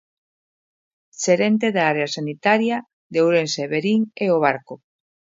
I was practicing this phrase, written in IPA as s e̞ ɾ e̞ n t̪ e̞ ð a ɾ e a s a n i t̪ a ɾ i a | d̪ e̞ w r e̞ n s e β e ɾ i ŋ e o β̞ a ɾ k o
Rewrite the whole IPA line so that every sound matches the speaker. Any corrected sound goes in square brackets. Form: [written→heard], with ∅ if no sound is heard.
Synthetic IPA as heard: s e̞ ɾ e̞ n t̪ e̞ ð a ɾ e a s a n i t̪ a ɾ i a | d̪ e̞ w [r→ɾ] e̞ n s e β e ɾ i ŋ e o β̞ a ɾ k o